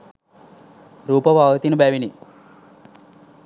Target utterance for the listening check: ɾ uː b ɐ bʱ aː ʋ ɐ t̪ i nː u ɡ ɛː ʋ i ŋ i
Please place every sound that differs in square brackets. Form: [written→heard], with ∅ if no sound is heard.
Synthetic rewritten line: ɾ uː [b→p] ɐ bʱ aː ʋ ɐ t̪ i [nː→n] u [ɡ→b] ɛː ʋ i [ŋ→n] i

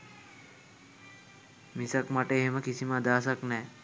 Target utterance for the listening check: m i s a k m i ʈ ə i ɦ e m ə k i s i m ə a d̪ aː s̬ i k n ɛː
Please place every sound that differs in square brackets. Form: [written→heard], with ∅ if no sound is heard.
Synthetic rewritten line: m i s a k m [i→a] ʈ ə [i→e] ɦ e m ə k i s i m ə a d̪ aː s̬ [i→a] k n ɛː

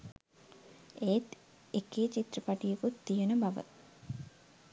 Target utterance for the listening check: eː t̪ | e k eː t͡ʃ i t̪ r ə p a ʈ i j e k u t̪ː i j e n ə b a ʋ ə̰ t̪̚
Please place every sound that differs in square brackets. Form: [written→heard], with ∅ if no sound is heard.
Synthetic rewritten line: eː t̪ | e k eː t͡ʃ i t̪ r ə p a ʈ i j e k u t̪ː i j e n ə b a ʋ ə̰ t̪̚

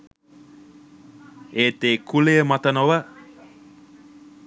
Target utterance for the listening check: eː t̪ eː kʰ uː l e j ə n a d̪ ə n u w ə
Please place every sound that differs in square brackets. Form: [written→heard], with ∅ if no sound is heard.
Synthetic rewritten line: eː t̪ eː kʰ [uː→u] l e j ə [n→m] a [d̪→t̪] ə n [u→o] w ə

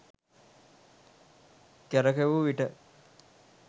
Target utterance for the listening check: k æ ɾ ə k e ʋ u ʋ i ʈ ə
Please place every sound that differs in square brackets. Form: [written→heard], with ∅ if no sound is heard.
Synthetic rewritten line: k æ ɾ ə k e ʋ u ʋ i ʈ ə

